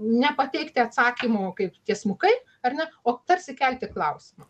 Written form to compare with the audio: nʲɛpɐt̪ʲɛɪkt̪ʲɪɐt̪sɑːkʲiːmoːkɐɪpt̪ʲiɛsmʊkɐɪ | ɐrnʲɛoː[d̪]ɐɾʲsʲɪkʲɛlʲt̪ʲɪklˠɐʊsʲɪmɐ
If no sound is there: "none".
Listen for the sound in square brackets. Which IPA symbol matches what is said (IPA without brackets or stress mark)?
t̪